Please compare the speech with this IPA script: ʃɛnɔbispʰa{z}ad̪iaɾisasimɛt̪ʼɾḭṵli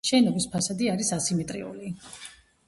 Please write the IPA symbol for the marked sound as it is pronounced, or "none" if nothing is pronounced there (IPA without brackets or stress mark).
s